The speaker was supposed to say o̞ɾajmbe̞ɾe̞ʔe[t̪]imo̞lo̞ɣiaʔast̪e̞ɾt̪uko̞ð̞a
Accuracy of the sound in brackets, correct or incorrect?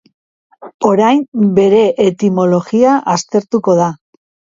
correct